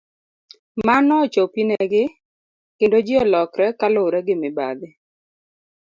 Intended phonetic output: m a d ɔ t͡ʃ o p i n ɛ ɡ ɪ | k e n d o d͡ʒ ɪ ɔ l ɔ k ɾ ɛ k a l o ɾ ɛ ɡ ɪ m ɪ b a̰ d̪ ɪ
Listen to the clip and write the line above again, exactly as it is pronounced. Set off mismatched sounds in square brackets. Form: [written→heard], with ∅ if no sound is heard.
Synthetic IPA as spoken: m a [d→n] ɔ t͡ʃ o p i n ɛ ɡ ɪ | k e n d o d͡ʒ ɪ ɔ l ɔ k ɾ ɛ k a l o ɾ ɛ ɡ ɪ m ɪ b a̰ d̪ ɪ